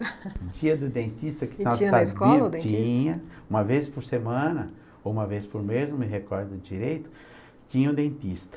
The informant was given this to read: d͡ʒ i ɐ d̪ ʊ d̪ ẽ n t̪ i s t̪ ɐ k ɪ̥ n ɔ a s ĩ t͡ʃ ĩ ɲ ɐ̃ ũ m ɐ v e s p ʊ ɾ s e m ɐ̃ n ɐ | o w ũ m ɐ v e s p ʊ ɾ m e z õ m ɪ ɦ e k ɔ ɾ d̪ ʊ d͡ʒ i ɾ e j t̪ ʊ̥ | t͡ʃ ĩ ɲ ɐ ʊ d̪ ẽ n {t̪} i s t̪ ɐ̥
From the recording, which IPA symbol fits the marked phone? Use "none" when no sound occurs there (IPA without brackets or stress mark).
t̪